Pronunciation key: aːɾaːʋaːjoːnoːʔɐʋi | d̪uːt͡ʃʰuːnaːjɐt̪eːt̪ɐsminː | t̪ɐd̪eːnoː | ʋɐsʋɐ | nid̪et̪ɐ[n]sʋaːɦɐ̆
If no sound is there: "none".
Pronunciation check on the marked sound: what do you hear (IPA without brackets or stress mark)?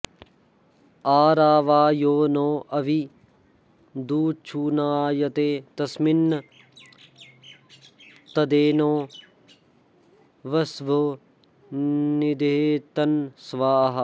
n